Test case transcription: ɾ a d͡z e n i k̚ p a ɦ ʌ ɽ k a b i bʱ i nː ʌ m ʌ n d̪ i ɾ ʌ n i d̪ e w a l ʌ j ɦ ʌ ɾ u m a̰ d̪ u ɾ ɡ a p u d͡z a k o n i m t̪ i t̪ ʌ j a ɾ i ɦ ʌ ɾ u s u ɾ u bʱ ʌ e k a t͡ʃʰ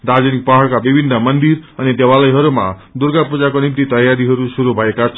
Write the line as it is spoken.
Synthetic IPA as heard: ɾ a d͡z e n i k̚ p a ɦ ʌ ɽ k a b i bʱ i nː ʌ m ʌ n d̪ i ɾ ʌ n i d̪ e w a l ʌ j ɦ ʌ ɾ u m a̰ d̪ u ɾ ɡ a p u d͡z a k o n i m t̪ i t̪ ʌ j a ɾ i ɦ ʌ ɾ u s u ɾ u bʱ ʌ e k a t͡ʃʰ